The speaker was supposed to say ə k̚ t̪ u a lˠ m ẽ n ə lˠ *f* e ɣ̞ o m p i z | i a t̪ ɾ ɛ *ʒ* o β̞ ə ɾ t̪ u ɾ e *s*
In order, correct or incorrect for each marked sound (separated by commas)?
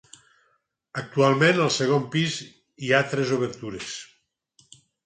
incorrect, incorrect, correct